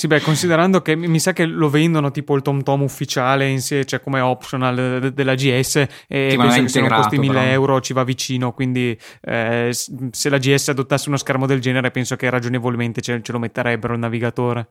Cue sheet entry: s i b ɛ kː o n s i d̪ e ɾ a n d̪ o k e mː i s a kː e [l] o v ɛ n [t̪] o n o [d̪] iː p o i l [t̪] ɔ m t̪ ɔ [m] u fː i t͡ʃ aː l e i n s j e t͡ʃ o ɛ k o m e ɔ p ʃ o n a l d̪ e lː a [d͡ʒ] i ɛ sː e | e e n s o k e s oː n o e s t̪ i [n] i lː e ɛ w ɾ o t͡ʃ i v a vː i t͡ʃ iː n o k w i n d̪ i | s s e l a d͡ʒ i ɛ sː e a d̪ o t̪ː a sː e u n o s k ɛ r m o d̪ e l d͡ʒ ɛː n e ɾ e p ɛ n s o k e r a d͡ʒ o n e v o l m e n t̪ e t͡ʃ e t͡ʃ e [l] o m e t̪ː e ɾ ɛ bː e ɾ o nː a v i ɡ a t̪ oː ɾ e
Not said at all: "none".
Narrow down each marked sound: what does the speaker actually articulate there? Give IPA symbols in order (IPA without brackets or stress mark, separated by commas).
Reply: l, d̪, t̪, t̪, m, d͡ʒ, m, l